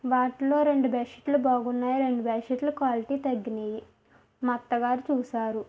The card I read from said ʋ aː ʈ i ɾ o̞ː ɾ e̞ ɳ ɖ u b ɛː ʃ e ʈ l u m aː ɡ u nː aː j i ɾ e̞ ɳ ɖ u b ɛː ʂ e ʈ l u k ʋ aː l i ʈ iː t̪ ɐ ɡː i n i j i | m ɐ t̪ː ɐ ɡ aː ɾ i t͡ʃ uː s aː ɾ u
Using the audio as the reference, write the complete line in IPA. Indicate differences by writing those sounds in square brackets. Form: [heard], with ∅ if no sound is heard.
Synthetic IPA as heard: ʋ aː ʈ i [l] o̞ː ɾ e̞ ɳ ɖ u b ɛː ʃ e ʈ l u [b] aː ɡ u nː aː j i ɾ e̞ ɳ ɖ u b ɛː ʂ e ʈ l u k ʋ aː l i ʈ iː t̪ ɐ ɡː i n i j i | m ɐ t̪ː ɐ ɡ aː ɾ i t͡ʃ uː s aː ɾ u